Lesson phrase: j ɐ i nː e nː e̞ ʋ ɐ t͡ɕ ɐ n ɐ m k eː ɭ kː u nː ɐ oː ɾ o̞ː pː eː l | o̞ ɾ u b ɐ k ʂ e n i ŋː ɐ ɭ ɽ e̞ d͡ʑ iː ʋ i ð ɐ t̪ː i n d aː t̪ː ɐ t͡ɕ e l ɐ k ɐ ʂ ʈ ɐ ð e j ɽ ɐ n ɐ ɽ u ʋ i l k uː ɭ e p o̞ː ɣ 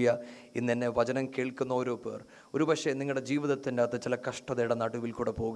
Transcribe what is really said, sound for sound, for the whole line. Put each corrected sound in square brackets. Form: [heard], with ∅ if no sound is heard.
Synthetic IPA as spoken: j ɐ i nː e nː e̞ ʋ ɐ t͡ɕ ɐ n ɐ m k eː ɭ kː u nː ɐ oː ɾ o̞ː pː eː [r] | o̞ ɾ u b ɐ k ʂ e n i ŋː ɐ ɭ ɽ e̞ d͡ʑ iː ʋ i ð ɐ t̪ː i n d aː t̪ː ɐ t͡ɕ [i] l ɐ k ɐ ʂ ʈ ɐ ð e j ɽ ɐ n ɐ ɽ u ʋ i l k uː [ɽ] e p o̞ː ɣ